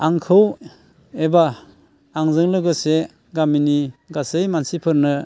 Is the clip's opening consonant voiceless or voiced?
voiced